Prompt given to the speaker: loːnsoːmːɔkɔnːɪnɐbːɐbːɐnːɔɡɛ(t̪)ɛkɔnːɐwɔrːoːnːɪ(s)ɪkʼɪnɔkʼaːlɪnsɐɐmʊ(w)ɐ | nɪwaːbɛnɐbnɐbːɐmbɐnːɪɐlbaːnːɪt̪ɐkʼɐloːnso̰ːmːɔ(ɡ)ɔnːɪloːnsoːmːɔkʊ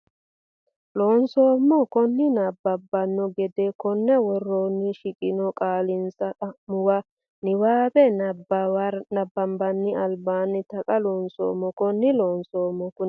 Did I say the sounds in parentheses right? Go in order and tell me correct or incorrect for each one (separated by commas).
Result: incorrect, incorrect, correct, incorrect